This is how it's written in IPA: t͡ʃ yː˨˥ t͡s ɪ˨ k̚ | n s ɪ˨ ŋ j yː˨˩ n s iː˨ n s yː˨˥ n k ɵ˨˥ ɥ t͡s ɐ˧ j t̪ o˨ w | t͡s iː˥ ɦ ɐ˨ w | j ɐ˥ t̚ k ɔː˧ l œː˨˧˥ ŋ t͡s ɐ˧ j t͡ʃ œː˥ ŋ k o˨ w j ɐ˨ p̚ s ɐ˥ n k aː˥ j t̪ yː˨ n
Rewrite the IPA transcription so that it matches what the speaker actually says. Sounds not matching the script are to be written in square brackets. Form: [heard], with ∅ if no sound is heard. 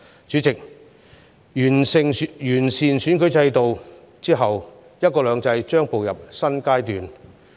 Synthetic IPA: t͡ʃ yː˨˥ t͡s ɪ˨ k̚ | n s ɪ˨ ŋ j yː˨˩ n s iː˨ n s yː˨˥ n k ɵ˨˥ ɥ t͡s ɐ˧ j t̪ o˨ w | t͡s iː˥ ɦ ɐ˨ w | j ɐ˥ t̚ k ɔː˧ l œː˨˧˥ ŋ t͡s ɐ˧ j t͡ʃ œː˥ ŋ [p] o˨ w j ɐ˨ p̚ s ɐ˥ n k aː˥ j t̪ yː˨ n